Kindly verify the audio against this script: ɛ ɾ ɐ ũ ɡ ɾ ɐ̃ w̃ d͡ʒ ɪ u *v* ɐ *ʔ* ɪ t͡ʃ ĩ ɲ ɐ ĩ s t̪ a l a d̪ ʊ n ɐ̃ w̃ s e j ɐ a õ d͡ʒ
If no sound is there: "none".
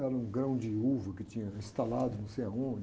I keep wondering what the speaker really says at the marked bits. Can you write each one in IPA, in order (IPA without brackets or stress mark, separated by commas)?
v, k